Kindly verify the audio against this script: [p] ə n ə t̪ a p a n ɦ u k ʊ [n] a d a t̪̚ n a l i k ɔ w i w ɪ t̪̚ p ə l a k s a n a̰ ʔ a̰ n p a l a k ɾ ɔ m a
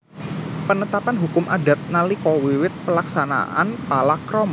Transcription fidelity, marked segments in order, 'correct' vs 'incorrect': correct, incorrect

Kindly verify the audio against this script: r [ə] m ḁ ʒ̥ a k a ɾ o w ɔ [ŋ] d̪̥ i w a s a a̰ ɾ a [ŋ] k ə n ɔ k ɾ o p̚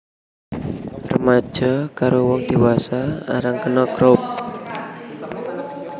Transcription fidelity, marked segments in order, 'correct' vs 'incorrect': correct, correct, correct

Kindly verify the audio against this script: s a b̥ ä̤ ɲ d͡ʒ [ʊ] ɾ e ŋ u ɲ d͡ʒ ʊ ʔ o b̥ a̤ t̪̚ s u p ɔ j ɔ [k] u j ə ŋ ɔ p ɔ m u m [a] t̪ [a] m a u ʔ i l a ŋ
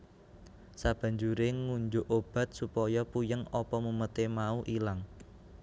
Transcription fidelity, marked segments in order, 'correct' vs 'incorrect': incorrect, incorrect, incorrect, incorrect

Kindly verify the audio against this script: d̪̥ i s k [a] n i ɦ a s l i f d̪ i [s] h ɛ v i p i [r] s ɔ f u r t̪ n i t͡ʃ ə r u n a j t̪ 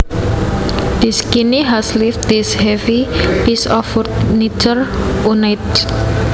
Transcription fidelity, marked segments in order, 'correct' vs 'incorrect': incorrect, correct, incorrect

